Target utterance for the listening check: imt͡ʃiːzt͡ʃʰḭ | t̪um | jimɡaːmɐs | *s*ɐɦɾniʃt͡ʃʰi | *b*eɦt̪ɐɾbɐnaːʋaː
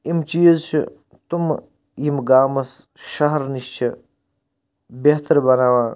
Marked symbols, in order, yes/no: no, yes

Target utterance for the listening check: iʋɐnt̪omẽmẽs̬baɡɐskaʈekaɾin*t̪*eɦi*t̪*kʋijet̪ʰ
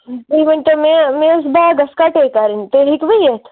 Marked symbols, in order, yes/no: yes, no

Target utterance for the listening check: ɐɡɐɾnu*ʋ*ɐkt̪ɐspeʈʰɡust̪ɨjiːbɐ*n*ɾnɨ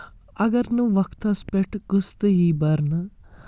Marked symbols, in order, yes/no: yes, no

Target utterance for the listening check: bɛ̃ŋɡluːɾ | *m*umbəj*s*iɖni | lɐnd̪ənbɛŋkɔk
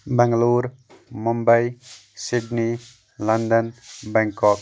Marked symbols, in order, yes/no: yes, yes

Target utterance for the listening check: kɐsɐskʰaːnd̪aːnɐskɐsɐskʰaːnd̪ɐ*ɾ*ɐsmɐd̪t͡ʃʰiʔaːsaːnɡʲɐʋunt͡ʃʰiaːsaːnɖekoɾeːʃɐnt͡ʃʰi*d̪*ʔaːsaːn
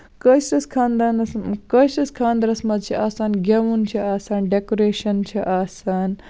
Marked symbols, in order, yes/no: yes, no

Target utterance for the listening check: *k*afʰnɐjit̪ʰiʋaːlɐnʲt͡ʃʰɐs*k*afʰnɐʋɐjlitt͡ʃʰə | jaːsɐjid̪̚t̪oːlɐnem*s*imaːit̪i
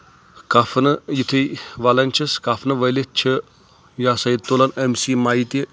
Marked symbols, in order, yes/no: yes, yes, yes

